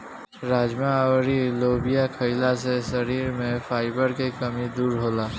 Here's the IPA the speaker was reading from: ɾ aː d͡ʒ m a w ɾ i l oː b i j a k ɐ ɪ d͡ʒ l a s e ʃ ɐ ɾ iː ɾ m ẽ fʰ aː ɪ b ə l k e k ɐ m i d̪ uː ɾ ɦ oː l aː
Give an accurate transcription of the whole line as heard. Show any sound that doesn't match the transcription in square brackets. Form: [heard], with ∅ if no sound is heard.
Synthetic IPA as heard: ɾ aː d͡ʒ m a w ɾ i l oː b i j a [kʰ] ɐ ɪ [∅] l a s e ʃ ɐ ɾ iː ɾ m ẽ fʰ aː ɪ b ə [ɾ] k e k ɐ m i d̪ uː ɾ ɦ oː l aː